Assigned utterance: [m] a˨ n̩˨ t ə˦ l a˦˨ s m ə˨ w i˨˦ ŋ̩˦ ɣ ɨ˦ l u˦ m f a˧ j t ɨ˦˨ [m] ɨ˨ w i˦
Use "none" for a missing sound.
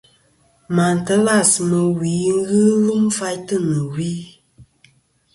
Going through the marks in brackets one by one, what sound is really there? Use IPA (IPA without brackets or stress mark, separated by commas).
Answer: m, n